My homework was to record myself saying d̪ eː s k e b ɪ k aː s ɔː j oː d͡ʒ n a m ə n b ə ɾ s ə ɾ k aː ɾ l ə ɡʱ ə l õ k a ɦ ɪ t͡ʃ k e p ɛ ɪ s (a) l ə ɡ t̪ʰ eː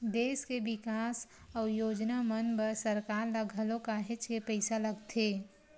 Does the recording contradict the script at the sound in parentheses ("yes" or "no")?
no